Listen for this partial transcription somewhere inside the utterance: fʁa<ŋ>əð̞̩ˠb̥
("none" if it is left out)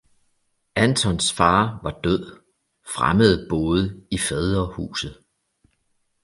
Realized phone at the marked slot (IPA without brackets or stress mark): m